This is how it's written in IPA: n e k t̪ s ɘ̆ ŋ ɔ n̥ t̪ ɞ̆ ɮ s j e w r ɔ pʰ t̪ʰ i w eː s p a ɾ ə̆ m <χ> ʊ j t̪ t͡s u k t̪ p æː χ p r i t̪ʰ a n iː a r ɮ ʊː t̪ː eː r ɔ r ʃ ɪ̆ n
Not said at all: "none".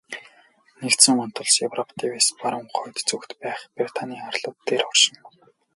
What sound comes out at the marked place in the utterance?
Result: χ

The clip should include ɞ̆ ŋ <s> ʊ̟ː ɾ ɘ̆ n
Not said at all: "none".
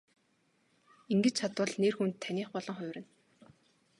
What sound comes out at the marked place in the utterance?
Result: χ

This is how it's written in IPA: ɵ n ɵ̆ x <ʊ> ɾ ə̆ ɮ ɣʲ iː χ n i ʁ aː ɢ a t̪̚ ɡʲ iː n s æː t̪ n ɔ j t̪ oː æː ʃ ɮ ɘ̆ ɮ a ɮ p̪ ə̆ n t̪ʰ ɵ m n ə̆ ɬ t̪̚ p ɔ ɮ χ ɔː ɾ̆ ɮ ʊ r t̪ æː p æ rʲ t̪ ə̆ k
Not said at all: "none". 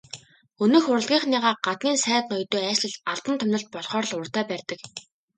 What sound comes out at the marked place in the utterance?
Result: ʊ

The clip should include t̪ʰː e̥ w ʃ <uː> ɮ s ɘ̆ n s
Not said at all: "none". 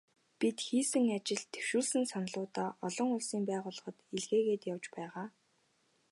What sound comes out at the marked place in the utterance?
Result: uː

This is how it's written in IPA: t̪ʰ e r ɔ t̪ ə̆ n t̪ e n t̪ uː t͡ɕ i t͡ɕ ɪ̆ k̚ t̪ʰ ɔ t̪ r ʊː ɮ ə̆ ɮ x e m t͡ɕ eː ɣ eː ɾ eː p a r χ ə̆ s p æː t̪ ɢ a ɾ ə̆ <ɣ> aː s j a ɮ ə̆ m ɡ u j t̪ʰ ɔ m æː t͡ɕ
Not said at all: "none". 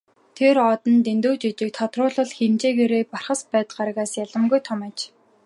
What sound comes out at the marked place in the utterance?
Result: ɣ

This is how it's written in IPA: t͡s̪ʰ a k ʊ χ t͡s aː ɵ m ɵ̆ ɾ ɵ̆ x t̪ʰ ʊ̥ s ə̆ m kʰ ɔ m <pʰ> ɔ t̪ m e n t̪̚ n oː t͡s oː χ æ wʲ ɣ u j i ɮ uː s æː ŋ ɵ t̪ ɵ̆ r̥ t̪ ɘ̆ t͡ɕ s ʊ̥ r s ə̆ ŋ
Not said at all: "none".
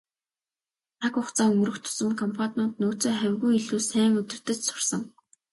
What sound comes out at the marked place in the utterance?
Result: pʰ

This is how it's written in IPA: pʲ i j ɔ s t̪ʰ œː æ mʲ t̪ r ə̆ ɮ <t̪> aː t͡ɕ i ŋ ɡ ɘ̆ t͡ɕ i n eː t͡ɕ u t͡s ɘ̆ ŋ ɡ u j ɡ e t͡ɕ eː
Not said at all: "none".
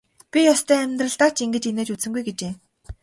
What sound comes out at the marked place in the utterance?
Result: t̪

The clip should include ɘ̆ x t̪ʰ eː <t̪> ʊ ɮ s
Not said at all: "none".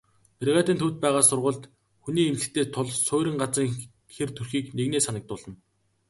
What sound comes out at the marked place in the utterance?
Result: t̪ʰ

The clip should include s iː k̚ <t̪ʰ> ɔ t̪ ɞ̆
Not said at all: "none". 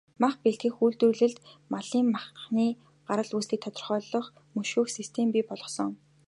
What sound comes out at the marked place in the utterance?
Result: t̪ʰ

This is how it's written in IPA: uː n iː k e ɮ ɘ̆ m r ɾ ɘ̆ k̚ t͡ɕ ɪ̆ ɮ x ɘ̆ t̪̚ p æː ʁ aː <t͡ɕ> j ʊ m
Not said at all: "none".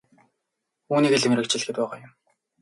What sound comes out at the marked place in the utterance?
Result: none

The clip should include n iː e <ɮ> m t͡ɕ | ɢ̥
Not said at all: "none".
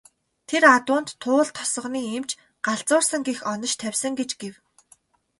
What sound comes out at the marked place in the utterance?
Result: none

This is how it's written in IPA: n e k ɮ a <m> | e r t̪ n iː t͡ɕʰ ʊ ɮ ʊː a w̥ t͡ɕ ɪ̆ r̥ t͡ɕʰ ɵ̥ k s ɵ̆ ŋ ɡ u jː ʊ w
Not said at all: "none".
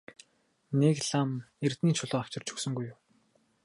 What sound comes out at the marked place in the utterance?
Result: m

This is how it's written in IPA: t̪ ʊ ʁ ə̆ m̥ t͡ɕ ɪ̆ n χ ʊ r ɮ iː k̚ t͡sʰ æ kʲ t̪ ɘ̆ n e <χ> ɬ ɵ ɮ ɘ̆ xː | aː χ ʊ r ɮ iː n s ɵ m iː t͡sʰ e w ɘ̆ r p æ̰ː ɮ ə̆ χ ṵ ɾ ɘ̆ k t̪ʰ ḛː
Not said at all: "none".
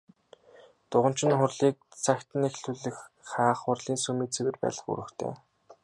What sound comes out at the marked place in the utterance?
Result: x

